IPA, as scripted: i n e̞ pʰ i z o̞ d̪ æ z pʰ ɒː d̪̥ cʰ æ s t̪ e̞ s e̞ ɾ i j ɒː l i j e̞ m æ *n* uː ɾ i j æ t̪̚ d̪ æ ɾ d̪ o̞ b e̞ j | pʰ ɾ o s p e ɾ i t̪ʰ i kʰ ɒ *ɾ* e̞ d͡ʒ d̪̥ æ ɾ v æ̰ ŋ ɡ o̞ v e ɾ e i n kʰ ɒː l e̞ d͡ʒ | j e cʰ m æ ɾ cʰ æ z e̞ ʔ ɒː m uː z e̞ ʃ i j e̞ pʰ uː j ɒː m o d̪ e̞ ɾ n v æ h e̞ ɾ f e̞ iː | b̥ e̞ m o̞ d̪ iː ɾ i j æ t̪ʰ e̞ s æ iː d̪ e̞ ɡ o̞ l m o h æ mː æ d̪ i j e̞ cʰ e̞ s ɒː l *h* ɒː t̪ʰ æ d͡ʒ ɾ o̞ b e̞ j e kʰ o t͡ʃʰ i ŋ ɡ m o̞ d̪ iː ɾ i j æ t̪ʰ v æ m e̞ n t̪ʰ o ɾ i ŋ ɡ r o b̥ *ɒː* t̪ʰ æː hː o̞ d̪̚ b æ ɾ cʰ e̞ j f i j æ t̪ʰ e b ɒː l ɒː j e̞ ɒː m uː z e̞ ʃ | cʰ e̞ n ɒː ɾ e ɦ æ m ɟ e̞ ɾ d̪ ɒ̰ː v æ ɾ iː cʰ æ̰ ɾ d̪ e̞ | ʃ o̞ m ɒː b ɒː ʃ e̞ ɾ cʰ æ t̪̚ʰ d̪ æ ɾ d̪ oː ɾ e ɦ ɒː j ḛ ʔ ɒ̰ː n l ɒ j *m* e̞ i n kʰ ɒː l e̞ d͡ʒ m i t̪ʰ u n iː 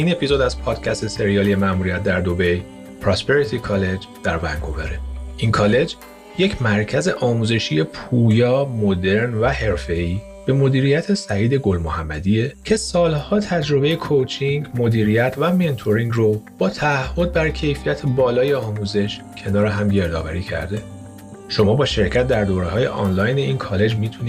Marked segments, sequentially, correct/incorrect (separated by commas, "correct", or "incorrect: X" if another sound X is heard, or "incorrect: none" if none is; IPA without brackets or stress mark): incorrect: m, incorrect: l, correct, correct, incorrect: n